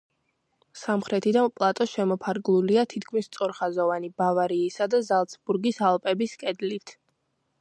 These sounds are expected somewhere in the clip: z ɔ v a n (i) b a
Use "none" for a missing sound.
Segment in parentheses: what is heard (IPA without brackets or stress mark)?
i